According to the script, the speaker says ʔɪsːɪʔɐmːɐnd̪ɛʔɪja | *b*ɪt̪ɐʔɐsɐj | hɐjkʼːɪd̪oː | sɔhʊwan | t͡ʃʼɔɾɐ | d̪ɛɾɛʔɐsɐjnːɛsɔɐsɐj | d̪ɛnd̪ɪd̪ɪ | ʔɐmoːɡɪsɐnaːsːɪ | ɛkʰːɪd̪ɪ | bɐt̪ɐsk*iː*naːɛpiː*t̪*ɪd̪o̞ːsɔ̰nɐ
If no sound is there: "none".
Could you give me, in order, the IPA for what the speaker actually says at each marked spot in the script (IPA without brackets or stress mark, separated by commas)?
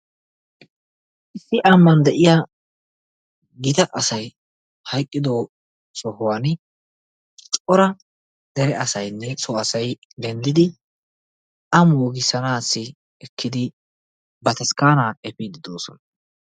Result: ɡ, aː, d̪